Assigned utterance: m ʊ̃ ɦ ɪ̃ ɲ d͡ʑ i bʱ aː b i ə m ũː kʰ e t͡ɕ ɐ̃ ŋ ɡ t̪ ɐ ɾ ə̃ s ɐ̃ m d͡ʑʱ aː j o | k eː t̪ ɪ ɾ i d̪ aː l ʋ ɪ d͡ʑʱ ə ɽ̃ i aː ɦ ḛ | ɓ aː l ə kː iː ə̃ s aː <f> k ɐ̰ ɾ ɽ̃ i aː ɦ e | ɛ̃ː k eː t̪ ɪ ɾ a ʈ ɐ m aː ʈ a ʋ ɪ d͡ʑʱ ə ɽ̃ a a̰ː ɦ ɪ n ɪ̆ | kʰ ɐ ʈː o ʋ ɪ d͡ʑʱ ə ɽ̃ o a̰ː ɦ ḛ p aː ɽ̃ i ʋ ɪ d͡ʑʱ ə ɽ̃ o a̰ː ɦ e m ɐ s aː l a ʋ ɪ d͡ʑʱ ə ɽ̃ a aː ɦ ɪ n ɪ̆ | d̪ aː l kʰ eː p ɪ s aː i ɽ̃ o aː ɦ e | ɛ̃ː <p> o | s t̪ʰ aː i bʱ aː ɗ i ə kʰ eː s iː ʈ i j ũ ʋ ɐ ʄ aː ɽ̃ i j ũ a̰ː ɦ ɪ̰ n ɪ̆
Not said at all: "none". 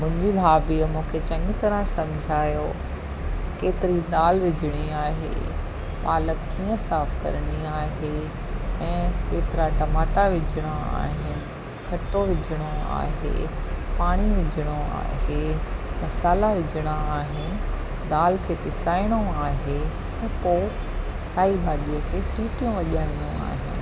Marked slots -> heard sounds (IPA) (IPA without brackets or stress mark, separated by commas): f, p